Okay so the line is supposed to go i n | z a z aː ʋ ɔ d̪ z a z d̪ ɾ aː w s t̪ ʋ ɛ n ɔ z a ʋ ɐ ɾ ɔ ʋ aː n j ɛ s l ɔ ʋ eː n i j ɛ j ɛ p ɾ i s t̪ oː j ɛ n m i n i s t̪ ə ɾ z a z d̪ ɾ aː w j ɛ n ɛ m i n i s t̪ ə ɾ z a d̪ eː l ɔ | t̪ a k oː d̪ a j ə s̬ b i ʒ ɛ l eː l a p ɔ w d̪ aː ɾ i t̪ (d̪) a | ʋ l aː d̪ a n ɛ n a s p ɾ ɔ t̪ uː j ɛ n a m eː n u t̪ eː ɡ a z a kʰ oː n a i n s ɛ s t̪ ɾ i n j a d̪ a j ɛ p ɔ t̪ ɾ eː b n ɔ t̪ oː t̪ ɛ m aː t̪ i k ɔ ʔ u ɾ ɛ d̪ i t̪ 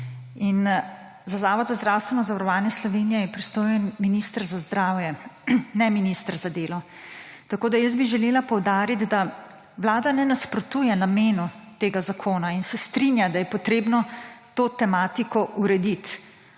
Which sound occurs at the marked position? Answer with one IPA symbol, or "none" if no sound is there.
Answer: d̪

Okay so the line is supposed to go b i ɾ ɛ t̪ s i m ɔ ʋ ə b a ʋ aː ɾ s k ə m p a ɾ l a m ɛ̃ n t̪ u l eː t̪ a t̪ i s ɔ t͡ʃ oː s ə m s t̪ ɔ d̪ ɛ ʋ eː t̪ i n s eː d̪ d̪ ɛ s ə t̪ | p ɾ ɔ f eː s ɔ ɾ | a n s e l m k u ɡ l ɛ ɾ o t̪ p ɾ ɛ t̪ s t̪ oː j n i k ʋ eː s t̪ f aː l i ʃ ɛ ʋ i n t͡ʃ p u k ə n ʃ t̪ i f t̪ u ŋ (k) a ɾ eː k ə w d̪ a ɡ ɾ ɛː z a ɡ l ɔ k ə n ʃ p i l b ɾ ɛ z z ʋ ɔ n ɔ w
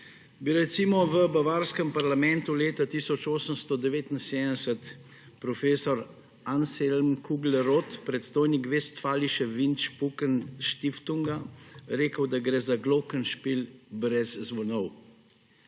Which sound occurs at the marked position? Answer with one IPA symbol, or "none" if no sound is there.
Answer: ɡ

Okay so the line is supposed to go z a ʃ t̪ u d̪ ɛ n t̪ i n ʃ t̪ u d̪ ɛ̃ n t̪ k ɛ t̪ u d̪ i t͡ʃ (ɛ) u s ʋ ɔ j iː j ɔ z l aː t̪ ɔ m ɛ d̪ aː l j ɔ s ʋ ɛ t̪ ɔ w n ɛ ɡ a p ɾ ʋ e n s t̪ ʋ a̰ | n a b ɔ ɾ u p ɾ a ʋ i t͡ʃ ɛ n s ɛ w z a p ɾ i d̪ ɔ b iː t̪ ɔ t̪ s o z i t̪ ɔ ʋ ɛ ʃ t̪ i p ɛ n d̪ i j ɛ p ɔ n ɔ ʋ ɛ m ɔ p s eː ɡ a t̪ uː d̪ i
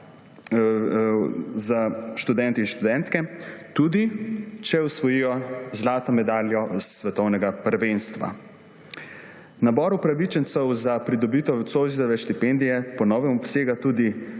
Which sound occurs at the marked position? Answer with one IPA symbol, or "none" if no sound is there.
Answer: ɛ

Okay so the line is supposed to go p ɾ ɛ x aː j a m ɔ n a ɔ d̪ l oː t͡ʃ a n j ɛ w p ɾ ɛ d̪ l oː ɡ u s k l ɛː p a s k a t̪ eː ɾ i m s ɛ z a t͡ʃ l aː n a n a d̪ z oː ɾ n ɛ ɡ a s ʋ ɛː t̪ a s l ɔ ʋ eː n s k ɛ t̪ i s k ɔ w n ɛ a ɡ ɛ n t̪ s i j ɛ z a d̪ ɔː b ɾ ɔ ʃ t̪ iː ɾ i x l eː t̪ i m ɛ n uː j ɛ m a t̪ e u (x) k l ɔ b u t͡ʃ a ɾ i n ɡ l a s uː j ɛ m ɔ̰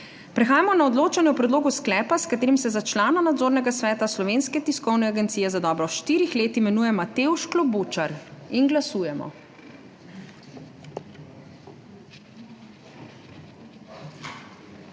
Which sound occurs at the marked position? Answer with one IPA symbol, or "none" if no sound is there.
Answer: ʃ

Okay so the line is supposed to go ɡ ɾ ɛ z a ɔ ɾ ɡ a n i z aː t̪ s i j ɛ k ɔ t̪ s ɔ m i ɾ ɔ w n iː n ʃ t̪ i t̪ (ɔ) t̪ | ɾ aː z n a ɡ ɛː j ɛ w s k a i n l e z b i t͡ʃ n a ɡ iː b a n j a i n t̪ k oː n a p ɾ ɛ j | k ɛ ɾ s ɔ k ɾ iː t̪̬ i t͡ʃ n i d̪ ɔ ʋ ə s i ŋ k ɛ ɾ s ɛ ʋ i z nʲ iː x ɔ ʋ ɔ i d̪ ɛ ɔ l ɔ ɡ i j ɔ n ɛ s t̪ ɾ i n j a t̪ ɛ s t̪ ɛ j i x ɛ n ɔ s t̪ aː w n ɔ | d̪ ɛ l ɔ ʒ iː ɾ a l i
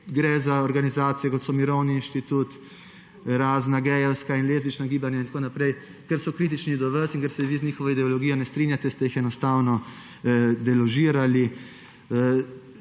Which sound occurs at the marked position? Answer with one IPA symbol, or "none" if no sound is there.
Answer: u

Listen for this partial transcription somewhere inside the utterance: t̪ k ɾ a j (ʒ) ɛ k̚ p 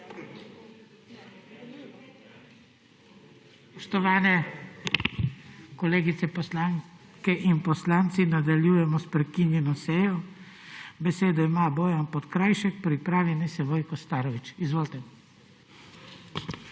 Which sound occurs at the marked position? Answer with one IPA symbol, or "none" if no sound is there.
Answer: ʃ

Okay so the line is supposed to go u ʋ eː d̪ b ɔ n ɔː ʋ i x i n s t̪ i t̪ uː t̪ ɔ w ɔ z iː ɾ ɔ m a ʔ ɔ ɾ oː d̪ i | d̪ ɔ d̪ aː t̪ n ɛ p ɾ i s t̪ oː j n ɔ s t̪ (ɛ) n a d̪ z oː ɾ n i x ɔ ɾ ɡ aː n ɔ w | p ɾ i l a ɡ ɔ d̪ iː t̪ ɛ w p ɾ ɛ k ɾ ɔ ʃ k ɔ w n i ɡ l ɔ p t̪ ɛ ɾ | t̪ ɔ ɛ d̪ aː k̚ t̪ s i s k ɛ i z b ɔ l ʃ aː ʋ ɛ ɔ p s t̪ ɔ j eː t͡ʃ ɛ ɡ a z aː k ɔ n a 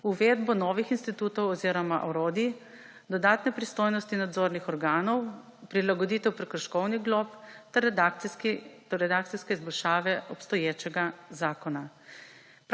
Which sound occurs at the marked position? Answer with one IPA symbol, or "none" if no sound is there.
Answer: i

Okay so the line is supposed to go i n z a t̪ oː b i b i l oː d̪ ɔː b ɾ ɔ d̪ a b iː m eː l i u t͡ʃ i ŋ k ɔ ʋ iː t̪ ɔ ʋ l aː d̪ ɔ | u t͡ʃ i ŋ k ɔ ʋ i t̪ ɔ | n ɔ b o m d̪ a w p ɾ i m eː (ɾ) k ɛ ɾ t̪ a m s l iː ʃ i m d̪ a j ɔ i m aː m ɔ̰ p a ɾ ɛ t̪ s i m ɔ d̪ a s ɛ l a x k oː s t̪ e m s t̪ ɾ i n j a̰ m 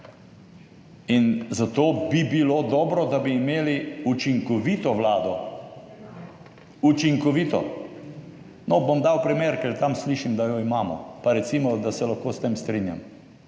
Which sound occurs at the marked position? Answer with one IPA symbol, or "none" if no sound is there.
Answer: ɾ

